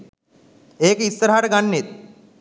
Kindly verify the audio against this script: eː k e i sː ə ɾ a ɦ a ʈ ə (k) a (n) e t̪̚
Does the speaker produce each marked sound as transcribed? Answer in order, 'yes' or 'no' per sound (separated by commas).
no, no